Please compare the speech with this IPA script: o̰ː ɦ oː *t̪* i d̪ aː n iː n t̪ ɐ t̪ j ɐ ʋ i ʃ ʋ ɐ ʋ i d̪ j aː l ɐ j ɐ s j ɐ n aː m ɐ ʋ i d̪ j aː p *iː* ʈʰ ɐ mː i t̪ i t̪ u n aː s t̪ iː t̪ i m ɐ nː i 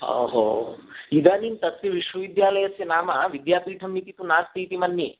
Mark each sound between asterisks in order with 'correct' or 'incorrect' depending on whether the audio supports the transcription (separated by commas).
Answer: incorrect, correct